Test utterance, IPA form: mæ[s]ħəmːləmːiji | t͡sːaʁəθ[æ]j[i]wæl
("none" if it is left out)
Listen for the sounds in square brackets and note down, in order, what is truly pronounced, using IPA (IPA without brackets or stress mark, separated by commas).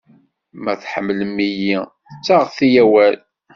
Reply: θ, i, æ